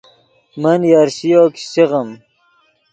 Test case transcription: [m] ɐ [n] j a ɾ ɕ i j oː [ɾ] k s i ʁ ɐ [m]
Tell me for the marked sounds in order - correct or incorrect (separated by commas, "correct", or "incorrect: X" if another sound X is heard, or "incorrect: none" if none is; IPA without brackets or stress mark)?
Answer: correct, correct, incorrect: none, correct